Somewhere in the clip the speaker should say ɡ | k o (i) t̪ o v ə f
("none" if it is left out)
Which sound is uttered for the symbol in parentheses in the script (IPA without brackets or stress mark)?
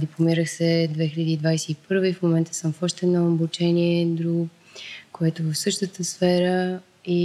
ɛ